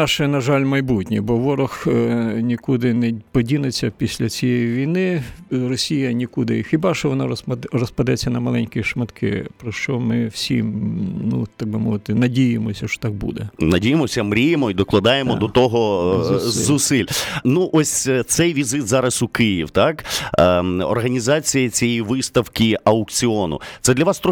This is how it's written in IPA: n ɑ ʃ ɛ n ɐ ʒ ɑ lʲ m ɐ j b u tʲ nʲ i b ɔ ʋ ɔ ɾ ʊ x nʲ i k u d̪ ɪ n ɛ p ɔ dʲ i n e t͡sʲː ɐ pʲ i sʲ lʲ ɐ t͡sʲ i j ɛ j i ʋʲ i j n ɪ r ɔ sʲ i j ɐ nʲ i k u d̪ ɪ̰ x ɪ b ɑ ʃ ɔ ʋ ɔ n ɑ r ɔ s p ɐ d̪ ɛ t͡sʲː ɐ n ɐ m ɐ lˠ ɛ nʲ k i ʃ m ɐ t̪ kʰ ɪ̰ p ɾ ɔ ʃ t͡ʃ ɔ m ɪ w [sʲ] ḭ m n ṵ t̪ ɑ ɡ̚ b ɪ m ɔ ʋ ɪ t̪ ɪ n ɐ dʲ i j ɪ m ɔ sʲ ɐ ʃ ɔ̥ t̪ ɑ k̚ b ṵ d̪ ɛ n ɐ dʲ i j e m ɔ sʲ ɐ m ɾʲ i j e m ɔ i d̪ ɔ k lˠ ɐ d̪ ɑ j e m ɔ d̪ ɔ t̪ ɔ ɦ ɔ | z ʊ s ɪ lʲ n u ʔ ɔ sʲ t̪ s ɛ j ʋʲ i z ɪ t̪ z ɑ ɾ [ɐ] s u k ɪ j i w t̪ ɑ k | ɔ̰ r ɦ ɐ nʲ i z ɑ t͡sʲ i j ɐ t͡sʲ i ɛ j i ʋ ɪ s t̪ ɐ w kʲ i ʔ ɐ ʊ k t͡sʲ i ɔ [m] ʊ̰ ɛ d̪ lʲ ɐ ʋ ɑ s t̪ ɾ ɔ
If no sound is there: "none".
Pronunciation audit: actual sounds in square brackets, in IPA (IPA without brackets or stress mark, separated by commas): sʲ, ɐ, n